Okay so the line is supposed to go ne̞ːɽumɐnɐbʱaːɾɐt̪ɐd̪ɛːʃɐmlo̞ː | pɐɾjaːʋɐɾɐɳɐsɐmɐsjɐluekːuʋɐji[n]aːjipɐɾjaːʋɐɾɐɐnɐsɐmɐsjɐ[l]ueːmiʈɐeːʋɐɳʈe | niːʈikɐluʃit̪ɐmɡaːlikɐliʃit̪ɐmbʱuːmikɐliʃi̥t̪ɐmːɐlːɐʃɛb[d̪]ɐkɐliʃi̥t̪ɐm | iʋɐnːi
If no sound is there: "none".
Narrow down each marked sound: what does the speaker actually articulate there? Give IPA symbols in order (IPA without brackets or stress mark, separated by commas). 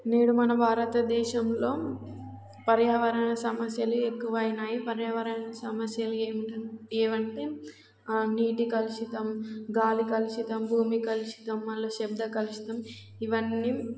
n, l, d̪